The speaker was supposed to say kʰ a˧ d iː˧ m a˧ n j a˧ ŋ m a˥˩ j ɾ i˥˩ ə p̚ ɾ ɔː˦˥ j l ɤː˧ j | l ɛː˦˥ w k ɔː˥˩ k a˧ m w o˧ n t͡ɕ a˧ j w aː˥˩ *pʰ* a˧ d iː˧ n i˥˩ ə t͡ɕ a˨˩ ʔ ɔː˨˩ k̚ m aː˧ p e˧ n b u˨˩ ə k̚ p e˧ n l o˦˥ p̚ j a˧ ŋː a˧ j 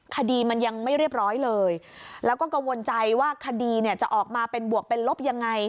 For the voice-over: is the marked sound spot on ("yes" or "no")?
no